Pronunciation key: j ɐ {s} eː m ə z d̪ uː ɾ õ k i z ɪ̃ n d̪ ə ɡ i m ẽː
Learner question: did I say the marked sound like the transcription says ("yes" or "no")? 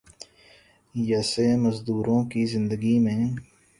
yes